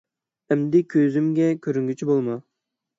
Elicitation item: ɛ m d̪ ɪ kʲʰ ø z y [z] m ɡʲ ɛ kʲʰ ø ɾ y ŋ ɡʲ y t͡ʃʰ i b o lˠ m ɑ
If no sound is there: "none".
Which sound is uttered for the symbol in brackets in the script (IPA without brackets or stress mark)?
none